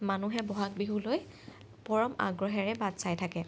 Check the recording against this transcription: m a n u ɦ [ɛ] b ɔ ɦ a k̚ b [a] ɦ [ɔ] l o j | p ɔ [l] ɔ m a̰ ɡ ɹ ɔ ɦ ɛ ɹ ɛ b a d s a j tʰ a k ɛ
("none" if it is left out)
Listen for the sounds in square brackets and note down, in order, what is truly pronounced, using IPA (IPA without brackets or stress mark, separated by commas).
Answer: ɛ, i, u, ɹ